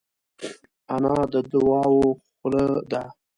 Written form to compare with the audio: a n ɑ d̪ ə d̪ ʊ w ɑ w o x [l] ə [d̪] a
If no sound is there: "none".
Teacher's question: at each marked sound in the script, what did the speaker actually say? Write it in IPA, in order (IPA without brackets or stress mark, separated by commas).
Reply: l, d̪